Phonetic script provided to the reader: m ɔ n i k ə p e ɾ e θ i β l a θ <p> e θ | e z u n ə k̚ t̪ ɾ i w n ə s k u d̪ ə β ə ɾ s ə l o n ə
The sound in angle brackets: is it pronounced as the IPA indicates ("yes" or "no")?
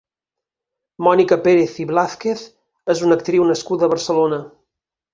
no